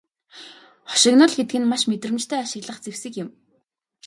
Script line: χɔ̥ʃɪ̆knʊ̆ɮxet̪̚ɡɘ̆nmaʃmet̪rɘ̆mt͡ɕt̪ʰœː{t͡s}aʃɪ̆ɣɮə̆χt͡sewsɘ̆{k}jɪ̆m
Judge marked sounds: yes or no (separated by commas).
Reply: no, yes